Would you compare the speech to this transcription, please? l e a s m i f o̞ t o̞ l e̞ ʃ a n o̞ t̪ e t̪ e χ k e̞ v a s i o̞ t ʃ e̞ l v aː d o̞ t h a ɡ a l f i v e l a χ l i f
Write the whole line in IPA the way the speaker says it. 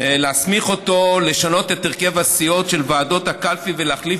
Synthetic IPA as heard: l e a s m i χ o̞ t o̞ l e̞ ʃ a n o̞ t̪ e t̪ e ʁ k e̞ v a s i o̞ t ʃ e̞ l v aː d o̞ t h a k a l f i v e l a χ l i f